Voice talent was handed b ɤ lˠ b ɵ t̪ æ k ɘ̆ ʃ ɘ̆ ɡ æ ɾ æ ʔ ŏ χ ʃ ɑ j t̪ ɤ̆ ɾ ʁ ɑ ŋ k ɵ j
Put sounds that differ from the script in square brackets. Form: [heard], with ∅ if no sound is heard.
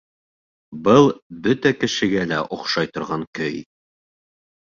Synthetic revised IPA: b ɤ lˠ b ɵ t̪ æ k ɘ̆ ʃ ɘ̆ ɡ æ [l] æ ʔ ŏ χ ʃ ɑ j t̪ [ŏ] ɾ ʁ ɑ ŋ k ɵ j

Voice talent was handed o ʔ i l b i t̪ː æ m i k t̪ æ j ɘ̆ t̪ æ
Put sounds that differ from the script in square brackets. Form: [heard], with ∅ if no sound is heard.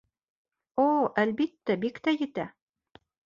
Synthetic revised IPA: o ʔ [æ] l b i t̪ː æ [b] i k t̪ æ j ɘ̆ t̪ æ

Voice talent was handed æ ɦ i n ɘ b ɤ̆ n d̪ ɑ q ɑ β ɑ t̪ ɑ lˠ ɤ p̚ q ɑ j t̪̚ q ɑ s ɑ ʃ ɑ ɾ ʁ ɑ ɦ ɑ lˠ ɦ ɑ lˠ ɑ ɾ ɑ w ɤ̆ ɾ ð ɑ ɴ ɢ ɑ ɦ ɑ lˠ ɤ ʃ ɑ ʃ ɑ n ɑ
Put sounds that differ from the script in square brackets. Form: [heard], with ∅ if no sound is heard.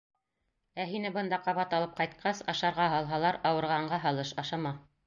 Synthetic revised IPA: æ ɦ i n ɘ b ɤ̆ n d̪ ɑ q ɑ β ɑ t̪ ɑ lˠ ɤ p̚ q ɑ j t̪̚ q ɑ s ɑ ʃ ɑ ɾ ʁ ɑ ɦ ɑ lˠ ɦ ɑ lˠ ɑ ɾ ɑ w ɤ̆ ɾ [ʁ] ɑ ɴ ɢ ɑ ɦ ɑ lˠ ɤ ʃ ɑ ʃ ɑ [m] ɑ

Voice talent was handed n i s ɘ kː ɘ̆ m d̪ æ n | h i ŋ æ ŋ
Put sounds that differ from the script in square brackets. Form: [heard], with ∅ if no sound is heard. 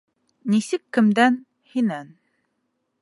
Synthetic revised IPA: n i s ɘ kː ɘ̆ m d̪ æ n | h i [n] æ [n]

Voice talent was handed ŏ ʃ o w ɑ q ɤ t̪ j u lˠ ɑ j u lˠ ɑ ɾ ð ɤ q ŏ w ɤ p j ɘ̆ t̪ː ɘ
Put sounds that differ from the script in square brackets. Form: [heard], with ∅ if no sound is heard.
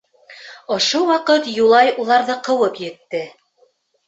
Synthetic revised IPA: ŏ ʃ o w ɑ q ɤ t̪ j u lˠ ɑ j u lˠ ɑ ɾ ð ɤ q [ɤ̆] w ɤ p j ɘ̆ t̪ː ɘ

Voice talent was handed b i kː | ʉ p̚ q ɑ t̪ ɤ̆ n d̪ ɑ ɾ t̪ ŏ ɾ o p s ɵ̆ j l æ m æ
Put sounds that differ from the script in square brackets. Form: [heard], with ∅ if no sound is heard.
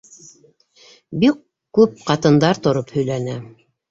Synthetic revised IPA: b i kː | ʉ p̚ q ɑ t̪ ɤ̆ n d̪ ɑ ɾ t̪ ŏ ɾ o p [h] ɵ̆ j l æ [n] æ

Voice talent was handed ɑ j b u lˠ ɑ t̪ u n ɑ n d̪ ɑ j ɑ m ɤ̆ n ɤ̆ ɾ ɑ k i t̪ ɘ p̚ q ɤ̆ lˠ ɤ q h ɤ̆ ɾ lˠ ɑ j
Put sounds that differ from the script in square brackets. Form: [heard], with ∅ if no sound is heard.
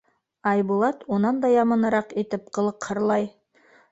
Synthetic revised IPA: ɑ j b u lˠ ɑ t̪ u n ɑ n d̪ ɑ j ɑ m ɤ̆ n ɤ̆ ɾ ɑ [q] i t̪ ɘ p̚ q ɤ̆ lˠ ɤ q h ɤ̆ ɾ lˠ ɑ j

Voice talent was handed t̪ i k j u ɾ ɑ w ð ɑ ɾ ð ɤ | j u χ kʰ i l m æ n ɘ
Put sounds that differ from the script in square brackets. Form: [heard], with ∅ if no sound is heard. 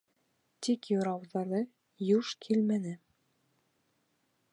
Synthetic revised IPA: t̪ i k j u ɾ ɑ w ð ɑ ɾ ð ɤ | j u [ʃ] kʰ i l m æ n ɘ

